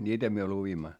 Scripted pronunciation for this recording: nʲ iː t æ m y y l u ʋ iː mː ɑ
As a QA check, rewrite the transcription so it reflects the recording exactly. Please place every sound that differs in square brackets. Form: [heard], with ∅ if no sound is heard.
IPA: nʲ iː t æ m y [ø] l u ʋ [i] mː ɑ